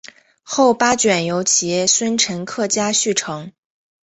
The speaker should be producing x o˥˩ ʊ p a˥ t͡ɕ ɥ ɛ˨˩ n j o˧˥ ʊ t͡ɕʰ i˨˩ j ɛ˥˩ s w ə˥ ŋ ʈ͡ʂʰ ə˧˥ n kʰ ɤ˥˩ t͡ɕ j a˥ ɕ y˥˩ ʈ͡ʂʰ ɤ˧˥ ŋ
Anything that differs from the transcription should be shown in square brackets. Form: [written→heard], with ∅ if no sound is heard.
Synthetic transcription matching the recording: x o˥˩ ʊ p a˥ t͡ɕ ɥ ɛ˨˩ n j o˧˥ ʊ t͡ɕʰ i˨˩ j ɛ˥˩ s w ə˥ [ŋ→n] ʈ͡ʂʰ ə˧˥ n kʰ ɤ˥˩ t͡ɕ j a˥ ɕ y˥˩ ʈ͡ʂʰ ɤ˧˥ ŋ

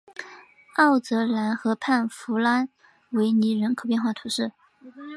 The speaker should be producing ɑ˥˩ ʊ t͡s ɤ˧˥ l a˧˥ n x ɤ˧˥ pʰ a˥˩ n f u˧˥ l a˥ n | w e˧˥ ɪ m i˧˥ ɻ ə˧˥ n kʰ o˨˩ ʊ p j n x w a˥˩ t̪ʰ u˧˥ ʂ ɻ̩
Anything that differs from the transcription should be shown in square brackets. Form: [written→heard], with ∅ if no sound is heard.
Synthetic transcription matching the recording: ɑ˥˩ ʊ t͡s ɤ˧˥ l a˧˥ n x ɤ˧˥ pʰ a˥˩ n f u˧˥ l a˥ n | w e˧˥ ɪ [m→n] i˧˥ ɻ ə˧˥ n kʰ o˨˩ ʊ p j n x w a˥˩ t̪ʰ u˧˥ ʂ ɻ̩

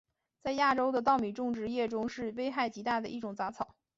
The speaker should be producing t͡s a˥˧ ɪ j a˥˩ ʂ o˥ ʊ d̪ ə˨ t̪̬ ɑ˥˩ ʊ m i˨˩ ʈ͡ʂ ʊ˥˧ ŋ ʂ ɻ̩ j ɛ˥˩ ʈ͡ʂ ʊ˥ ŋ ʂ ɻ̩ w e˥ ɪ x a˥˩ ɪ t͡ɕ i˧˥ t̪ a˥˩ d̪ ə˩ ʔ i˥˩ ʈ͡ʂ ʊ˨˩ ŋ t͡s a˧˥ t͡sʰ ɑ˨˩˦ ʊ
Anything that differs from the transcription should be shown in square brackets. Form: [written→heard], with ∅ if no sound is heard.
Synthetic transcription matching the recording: t͡s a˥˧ ɪ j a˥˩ [ʂ→ʈ͡ʂ] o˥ ʊ d̪ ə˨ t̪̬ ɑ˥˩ ʊ m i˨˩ ʈ͡ʂ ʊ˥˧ ŋ [ʂ→ʈ͡ʂ] ɻ̩ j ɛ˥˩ ʈ͡ʂ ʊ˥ ŋ ʂ ɻ̩ w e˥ ɪ x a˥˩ ɪ t͡ɕ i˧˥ t̪ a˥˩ d̪ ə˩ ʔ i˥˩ ʈ͡ʂ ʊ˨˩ ŋ t͡s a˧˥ t͡sʰ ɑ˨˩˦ ʊ

